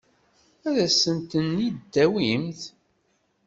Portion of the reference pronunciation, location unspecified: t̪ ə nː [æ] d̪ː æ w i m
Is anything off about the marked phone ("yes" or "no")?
yes